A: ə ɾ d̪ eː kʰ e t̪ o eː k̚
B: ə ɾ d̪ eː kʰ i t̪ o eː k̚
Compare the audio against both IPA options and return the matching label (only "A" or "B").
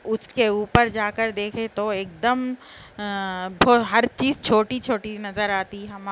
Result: A